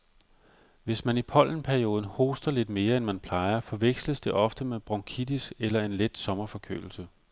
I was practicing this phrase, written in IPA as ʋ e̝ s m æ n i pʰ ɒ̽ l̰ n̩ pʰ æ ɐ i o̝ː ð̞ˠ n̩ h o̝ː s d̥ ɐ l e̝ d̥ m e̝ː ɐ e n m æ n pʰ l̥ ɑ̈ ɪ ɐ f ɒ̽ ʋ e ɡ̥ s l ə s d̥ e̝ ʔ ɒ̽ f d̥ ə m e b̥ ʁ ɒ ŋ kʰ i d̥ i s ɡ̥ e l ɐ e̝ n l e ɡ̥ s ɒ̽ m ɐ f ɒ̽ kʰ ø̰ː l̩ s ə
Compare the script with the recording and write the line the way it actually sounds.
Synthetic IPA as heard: ʋ e̝ s m æ n i pʰ ɒ̽ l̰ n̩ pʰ æ ɐ i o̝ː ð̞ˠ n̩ h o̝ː s d̥ ɐ l e̝ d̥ m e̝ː ɐ e n m æ n pʰ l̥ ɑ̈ ɪ ɐ f ɒ̽ ʋ e ɡ̥ s l ə s d̥ e̝ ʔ ɒ̽ f d̥ ə m e b̥ ʁ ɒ ŋ kʰ i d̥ i s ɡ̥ e l ɐ e̝ n l e d̥ s ɒ̽ m ɐ f ɒ̽ kʰ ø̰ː l̩ s ə

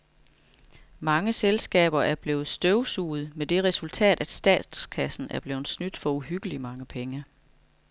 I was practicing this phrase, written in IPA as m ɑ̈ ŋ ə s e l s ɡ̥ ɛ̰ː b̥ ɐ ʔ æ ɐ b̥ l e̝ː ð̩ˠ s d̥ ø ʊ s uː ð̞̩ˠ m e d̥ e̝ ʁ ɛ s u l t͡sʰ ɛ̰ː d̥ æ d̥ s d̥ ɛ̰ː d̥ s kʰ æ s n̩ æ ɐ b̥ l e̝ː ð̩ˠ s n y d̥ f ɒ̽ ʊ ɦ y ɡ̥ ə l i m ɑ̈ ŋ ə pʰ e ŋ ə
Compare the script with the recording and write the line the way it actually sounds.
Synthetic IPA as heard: m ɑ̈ ŋ ə s e l s ɡ̥ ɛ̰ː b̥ ɐ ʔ æ ɐ b̥ l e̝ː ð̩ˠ s d̥ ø ʊ s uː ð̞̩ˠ m e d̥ e̝ ʁ ɛ s u l t͡sʰ ɛ̰ː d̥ æ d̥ s d̥ ɛ̰ː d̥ s kʰ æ s n̩ æ ɐ b̥ l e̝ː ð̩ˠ s n y d̥ f ɒ̽ u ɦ y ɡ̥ ə l i m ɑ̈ ŋ ə pʰ e ŋ ə

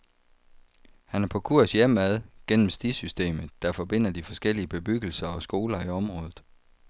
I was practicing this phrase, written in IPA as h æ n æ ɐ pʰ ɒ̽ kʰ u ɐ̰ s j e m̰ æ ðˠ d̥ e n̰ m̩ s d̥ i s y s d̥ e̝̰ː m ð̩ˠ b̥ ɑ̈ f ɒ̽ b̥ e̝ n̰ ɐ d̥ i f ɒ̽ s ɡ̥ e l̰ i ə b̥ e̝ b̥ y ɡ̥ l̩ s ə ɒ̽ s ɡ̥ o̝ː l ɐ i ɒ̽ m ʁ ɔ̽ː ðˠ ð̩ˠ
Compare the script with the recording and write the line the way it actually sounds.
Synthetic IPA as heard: h æ n æ ɐ pʰ ɒ̽ kʰ u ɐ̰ s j e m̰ æ ðˠ ɡ̥ e n̰ m̩ s d̥ i s y s d̥ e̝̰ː m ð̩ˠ d̥ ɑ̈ f ɒ̽ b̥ e̝ n̰ ɐ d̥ i f ɒ̽ s ɡ̥ e l̰ i ə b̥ e̝ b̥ y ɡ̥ l̩ s ɐ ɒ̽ s ɡ̥ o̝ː l ɐ i ɒ̽ m ʁ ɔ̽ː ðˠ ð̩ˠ

